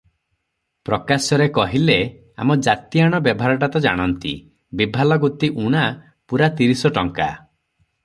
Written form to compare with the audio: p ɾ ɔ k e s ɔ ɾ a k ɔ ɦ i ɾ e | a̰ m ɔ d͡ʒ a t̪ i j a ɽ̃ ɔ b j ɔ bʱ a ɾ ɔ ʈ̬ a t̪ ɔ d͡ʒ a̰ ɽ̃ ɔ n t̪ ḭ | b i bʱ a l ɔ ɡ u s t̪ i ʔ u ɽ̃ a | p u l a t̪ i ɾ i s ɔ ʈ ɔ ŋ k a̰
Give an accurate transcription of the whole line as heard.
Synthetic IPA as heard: p ɾ ɔ k a s ɔ ɾ e k ɔ ɦ i l e | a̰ m ɔ d͡ʒ a t̪ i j a ɽ̃ ɔ b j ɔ bʱ a ɾ ɔ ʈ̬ a t̪ ɔ d͡ʒ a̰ ɽ̃ ɔ n t̪ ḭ | b i bʱ a l ɔ ɡ u t̪ i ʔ u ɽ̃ a | p u ɾ a t̪ i ɾ i s ɔ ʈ ɔ ŋ k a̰